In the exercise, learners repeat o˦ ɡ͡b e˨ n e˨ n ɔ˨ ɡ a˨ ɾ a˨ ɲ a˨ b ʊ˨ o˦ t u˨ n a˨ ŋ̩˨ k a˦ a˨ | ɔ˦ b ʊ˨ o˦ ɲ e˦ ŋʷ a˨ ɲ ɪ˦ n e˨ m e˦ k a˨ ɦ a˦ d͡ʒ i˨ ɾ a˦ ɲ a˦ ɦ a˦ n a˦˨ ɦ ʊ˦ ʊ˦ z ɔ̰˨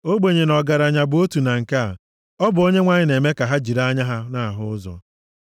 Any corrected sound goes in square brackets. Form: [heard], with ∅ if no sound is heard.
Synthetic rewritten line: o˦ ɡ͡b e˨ [ɲ] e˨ n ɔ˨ ɡ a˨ ɾ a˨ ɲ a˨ b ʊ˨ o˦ t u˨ n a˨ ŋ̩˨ k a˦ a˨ | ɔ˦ b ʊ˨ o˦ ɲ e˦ ŋʷ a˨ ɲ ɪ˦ n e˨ m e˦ k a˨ ɦ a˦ d͡ʒ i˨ ɾ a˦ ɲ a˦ ɦ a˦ n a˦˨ ɦ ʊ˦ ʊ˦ z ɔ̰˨

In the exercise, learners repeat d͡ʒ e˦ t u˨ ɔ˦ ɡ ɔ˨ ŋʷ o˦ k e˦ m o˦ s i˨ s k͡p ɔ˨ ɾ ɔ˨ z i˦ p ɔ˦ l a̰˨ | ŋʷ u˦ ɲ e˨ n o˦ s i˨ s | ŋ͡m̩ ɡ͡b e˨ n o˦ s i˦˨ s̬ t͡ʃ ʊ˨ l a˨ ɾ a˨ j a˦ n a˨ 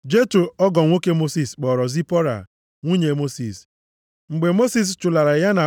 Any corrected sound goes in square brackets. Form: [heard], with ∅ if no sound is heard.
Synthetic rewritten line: d͡ʒ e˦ t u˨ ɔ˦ ɡ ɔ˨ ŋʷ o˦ k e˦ m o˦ s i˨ s k͡p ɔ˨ ɾ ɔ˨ z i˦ p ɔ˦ [ɾ] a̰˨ | ŋʷ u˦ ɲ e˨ [m] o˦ s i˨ s | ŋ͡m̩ ɡ͡b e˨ [m] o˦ s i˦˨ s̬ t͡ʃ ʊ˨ l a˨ ɾ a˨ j a˦ n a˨

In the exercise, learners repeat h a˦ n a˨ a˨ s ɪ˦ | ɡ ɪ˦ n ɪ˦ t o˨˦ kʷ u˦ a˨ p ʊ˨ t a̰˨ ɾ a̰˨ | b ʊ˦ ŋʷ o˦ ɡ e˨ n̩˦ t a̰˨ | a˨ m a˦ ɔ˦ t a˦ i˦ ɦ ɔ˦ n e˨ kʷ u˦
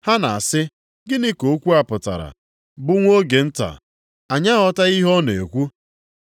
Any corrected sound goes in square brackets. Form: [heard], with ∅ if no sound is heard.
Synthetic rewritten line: h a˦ n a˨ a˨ s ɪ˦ | ɡ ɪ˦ n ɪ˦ [k] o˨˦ kʷ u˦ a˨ p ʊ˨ t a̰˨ ɾ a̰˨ | b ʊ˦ ŋʷ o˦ ɡ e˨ n̩˦ t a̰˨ | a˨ [ɲ] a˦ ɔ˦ t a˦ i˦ ɦ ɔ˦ n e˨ kʷ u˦

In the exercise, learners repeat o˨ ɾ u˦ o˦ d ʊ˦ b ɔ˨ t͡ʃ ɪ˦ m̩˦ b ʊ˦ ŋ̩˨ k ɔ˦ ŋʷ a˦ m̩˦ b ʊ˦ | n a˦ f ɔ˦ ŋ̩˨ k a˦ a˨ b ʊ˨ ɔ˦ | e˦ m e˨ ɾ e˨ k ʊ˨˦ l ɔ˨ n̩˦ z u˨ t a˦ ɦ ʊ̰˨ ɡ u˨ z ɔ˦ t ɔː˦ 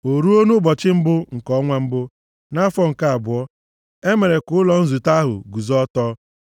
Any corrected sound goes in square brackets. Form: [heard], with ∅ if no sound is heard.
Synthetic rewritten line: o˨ ɾ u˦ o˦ [n] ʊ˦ b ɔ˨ t͡ʃ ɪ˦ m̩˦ b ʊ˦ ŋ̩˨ k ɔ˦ ŋʷ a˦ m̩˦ b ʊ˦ | n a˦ f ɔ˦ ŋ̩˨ k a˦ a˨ b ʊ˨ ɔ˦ | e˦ m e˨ ɾ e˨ k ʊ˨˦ l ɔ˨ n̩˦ z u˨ t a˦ ɦ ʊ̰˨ ɡ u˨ z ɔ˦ t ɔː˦

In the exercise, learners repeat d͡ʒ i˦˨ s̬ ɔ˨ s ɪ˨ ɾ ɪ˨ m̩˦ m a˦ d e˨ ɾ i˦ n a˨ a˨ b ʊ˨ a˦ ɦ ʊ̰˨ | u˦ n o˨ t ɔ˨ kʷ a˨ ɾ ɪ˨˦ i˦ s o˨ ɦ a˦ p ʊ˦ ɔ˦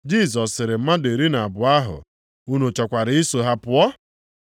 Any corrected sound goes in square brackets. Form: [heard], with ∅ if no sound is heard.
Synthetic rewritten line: d͡ʒ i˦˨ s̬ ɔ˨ s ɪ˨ ɾ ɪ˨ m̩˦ m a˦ d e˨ ɾ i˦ n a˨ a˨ b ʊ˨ a˦ ɦ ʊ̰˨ | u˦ n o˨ [t͡ʃ] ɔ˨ kʷ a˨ ɾ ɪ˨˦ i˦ s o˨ ɦ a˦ p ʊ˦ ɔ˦

